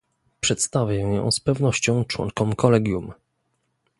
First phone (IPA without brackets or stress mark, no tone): p